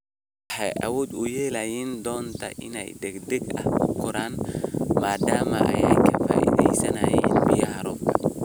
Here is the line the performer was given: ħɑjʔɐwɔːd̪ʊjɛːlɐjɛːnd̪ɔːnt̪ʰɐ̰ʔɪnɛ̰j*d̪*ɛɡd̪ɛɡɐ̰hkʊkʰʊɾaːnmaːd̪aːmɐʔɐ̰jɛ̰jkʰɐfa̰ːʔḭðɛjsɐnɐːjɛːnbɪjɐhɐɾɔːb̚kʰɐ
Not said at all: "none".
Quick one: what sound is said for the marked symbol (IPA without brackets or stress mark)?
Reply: d̪